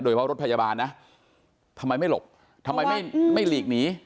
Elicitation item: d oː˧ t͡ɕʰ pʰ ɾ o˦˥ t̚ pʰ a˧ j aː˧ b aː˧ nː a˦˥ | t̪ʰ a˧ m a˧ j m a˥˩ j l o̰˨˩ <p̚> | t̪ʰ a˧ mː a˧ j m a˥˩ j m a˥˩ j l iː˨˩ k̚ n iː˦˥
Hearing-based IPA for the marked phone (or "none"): p̚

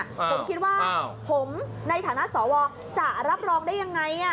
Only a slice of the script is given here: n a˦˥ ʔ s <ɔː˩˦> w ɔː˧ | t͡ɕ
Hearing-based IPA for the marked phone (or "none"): ɔː˩˦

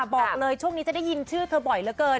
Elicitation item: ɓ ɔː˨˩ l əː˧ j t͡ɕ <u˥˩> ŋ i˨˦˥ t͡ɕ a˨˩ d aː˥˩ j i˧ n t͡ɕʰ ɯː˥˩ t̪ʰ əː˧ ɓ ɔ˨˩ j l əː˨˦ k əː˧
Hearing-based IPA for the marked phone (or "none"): u˥˩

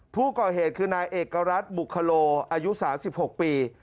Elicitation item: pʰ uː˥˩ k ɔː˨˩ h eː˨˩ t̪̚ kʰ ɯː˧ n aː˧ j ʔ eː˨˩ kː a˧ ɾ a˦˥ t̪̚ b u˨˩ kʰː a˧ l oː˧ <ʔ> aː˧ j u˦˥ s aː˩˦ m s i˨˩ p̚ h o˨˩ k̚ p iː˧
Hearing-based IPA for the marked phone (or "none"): ʔ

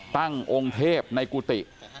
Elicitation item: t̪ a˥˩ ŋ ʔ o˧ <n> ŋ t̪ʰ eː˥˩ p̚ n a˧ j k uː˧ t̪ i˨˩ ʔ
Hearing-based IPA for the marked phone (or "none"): none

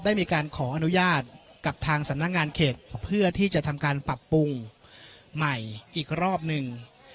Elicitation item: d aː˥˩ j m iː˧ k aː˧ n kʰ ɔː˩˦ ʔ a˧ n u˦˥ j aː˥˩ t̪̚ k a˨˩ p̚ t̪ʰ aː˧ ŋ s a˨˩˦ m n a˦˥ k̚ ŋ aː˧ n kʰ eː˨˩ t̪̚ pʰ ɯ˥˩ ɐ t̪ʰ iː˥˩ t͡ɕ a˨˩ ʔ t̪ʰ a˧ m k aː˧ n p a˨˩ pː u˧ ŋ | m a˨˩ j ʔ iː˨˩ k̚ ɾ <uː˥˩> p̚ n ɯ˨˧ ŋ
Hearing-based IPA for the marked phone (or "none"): ɔː˥˩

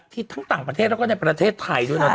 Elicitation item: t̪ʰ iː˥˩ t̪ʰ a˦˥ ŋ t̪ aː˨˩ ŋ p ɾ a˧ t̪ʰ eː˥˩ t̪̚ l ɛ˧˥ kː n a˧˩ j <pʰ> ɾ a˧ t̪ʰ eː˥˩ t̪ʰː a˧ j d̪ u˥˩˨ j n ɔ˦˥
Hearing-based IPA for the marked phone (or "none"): p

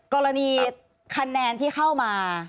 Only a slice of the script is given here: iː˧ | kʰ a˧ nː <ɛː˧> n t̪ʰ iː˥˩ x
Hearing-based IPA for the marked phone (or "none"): ɛː˧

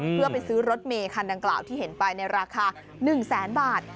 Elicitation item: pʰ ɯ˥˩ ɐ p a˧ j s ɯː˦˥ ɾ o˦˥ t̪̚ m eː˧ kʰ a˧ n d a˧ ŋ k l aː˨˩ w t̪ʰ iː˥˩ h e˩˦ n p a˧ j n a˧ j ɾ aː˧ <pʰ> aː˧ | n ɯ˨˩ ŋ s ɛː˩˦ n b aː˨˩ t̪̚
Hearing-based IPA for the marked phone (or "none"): kʰ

